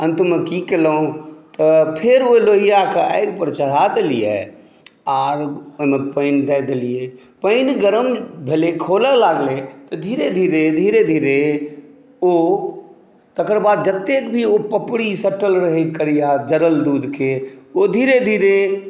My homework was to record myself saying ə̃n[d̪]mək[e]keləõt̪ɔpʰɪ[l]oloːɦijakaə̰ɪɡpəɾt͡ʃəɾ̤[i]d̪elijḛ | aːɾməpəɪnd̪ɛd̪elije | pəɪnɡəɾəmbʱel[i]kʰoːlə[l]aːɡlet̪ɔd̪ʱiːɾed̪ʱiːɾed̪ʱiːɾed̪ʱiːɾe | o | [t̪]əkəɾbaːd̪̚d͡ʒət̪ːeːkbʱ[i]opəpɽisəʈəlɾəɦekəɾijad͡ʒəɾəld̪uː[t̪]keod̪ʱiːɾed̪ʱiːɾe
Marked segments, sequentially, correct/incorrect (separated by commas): incorrect, incorrect, incorrect, incorrect, incorrect, correct, correct, correct, incorrect